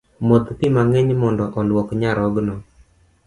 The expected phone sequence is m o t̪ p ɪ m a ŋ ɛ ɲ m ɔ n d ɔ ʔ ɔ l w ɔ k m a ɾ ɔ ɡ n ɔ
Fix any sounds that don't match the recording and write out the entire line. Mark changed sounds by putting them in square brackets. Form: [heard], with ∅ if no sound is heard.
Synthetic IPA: m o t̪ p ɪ m a ŋ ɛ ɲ m ɔ n d ɔ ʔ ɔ l w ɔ k [ɲ] a ɾ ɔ ɡ n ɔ